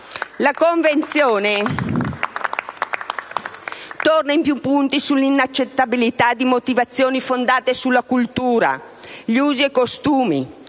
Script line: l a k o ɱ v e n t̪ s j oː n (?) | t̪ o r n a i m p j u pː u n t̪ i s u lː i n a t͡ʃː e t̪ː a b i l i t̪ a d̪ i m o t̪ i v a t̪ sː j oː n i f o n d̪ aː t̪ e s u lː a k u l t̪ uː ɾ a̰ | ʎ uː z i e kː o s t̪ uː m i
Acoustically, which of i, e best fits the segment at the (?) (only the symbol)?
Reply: e